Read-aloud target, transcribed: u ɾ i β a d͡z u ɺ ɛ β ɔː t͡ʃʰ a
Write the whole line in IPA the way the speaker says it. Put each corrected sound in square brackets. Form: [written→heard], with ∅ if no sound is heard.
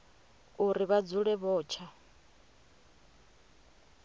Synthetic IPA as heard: u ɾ i β a d͡z u ɺ ɛ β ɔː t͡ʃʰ a

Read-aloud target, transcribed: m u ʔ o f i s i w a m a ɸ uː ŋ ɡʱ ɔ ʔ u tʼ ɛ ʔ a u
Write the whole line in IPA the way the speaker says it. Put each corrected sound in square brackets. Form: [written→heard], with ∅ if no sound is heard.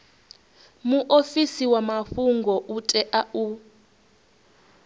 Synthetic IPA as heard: m u ʔ o f i s i w a m a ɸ [uː→u] ŋ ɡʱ ɔ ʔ u tʼ ɛ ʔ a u

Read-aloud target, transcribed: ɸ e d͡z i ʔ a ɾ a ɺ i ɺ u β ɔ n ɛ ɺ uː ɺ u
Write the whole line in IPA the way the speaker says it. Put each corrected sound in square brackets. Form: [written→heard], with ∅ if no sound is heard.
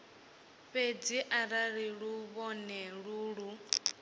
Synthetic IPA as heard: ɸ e d͡z i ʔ a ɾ a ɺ i ɺ u β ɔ n ɛ ɺ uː ɺ u

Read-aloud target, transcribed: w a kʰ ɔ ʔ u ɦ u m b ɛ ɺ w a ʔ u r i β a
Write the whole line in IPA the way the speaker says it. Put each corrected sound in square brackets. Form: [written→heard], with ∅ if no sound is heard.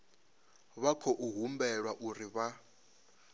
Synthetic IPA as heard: [w→β] a kʰ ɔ ʔ u ɦ u m b ɛ ɺ w a ʔ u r i β a

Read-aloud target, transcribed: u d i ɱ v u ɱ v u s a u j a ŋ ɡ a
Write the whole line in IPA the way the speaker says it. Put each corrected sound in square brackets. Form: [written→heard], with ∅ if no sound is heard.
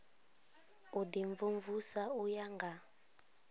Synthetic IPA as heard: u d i ɱ v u ɱ v u s a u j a ŋ ɡ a

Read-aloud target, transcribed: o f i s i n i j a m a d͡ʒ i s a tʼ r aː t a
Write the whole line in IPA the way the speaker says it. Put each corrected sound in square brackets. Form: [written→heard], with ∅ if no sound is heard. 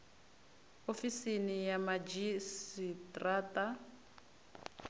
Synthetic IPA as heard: o f i s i n i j a m a d͡ʒ i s [a→i] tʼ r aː t a

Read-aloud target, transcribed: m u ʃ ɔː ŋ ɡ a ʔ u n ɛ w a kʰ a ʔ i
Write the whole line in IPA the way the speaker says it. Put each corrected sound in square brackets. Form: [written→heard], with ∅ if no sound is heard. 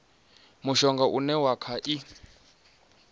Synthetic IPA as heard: m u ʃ [ɔː→ɔ] ŋ ɡ a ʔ u n ɛ w a kʰ a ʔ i

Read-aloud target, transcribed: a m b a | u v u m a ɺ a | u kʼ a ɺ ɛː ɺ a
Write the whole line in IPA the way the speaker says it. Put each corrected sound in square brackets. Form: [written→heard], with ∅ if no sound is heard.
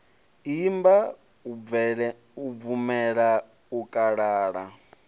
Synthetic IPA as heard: [a→i] m b a | u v u m [a→ɛ] ɺ a | u kʼ a ɺ [ɛː→aː] ɺ a

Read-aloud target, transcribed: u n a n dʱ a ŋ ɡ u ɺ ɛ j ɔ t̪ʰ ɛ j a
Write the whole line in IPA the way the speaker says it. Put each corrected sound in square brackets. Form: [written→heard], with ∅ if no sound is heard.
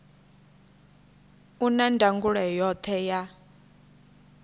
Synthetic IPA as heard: u n a n dʱ a ŋ ɡ u ɺ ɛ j ɔ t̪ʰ ɛ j a

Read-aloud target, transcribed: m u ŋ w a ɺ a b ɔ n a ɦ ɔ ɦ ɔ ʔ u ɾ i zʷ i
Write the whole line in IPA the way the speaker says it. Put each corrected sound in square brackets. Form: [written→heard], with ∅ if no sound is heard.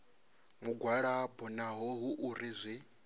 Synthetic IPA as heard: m u [ŋ→ɡ] w a ɺ a b ɔ n a ɦ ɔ ɦ [ɔ→u] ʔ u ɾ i zʷ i

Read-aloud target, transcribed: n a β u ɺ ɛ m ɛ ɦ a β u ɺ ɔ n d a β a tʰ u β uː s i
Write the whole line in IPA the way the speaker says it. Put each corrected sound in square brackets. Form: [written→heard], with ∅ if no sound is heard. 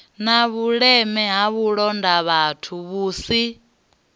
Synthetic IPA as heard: n a β u ɺ ɛ m ɛ ɦ a β u ɺ ɔ n d a β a tʰ u β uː s i

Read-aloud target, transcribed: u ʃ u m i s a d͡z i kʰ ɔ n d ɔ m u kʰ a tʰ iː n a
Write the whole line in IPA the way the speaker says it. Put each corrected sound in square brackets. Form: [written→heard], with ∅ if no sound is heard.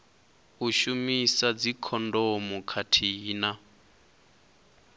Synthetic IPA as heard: u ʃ u m i s a d͡z i kʰ ɔ n d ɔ m u kʰ a tʰ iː n a

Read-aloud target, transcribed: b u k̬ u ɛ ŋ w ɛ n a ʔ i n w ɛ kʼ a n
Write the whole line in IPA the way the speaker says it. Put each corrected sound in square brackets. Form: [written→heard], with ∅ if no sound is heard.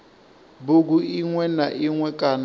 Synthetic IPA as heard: b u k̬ u [ɛ→i] ŋ w ɛ n a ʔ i [n→ŋ] w ɛ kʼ a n

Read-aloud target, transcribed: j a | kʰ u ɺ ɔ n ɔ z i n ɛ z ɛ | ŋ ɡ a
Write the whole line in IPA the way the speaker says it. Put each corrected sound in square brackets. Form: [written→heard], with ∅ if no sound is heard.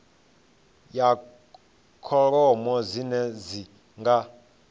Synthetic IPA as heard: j a | kʰ [u→ɔ] ɺ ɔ [n→m] ɔ z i n ɛ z [ɛ→i] | ŋ ɡ a

